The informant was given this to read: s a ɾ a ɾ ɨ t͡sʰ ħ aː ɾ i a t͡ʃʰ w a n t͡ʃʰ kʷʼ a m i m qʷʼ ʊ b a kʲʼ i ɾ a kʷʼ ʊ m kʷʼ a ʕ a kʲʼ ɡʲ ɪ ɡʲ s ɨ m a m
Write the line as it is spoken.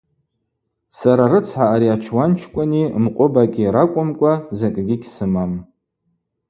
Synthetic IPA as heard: s a ɾ a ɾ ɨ t͡sʰ ħ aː ɾ i a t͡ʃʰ w a n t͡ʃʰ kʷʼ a n i m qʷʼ ʊ b a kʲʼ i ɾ a kʷʼ ʊ m kʷʼ a z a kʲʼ ɡʲ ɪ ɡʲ s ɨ m a m